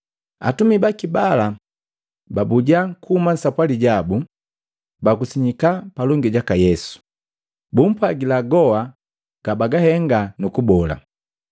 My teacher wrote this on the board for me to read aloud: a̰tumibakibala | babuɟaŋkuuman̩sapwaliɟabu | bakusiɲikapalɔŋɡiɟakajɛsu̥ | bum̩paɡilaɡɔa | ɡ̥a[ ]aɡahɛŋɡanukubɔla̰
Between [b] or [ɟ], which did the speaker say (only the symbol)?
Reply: b